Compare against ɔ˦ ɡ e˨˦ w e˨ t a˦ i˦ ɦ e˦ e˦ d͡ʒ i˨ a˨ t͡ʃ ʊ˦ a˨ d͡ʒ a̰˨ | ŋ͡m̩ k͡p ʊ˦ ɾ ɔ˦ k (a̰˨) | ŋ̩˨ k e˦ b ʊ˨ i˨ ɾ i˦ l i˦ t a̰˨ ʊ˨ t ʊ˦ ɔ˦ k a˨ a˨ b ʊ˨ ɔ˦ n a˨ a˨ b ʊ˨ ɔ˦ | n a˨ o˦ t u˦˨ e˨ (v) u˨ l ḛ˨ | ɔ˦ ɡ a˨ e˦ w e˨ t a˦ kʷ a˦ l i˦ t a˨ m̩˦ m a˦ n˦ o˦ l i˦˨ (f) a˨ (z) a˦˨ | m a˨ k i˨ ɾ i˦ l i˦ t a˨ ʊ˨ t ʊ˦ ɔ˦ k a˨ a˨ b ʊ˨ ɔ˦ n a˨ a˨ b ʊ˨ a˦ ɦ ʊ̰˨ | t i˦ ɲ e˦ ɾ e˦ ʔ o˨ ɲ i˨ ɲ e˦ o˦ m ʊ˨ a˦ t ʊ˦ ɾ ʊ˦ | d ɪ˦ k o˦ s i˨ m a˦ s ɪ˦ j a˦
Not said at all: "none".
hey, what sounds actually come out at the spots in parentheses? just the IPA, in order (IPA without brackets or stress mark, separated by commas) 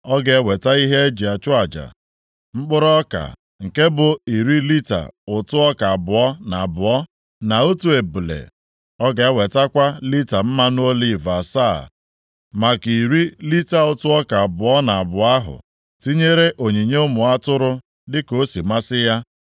a̰˨, b, v, s